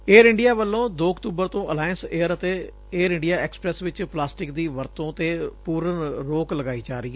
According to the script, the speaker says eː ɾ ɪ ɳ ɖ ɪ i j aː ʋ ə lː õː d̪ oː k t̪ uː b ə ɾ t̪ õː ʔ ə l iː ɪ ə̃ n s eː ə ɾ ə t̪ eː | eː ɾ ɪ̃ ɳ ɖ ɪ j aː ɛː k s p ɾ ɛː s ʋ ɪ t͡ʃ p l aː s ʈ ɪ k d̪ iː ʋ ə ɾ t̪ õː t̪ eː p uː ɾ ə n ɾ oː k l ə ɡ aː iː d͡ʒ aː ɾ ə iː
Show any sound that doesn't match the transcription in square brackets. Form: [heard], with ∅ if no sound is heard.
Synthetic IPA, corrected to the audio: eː ɾ ɪ ɳ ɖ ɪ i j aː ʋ ə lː õː d̪ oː k t̪ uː b ə ɾ t̪ õː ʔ ə l [aː] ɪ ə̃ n s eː ə ɾ ə t̪ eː | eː ɾ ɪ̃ ɳ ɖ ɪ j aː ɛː k s p ɾ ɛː s ʋ ɪ t͡ʃ p l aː s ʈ ɪ k d̪ iː ʋ ə ɾ t̪ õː t̪ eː p uː ɾ ə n ɾ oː k l ə ɡ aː iː d͡ʒ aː ɾ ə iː